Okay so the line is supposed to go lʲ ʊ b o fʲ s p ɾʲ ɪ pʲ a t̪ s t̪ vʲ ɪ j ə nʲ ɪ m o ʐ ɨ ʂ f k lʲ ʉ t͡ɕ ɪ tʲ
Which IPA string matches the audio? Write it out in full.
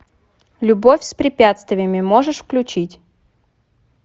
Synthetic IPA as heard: lʲ ʊ b o fʲ s p ɾʲ ɪ pʲ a t̪ s t̪ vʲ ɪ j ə mʲ ɪ m o ʐ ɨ ʂ f k lʲ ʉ t͡ɕ i tʲ